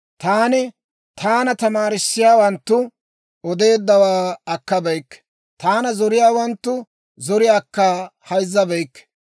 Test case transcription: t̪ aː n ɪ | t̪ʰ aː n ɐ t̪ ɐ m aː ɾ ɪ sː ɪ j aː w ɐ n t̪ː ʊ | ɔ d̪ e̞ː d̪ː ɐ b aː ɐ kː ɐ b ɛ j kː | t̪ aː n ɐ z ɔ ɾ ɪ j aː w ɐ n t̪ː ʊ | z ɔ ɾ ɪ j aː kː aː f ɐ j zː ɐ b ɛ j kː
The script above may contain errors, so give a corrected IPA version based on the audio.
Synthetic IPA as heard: t̪ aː n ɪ | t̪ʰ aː n ɐ t̪ ɐ m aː ɾ ɪ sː ɪ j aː w ɐ n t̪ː ʊ | ɔ d̪ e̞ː d̪ː ɐ w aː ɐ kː ɐ b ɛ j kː | t̪ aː n ɐ z ɔ ɾ ɪ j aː w ɐ n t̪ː ʊ | z ɔ ɾ ɪ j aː kː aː h ɐ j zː ɐ b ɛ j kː